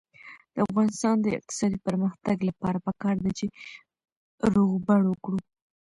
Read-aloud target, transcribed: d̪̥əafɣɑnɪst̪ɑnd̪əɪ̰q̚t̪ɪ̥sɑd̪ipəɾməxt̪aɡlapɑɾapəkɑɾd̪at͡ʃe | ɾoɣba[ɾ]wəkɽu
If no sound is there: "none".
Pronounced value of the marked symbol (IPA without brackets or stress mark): ɽ